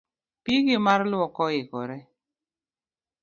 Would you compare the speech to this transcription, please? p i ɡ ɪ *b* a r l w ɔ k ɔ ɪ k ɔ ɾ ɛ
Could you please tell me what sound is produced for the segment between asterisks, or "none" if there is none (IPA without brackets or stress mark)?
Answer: m